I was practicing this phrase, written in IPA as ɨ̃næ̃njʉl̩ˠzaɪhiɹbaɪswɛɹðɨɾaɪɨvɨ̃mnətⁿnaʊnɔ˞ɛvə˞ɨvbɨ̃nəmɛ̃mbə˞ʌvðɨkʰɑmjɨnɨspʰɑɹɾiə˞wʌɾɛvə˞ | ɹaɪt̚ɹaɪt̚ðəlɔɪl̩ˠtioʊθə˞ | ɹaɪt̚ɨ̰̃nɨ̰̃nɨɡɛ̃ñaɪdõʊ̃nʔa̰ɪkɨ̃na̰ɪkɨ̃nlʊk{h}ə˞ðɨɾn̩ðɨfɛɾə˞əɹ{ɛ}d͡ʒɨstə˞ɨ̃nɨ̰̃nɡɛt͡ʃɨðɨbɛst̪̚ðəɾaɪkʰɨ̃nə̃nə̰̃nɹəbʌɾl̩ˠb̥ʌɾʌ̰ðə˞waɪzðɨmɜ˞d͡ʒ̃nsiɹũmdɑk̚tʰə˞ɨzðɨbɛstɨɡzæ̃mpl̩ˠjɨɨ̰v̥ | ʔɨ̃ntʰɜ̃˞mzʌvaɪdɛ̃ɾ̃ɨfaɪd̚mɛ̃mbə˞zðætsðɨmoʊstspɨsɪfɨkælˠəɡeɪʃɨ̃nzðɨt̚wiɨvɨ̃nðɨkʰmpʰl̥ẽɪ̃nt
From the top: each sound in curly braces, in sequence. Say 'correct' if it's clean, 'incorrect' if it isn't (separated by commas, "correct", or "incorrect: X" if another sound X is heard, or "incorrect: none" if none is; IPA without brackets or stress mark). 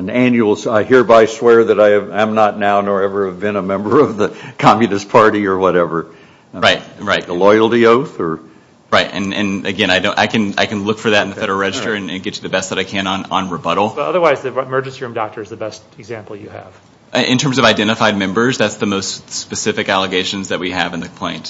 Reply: incorrect: f, correct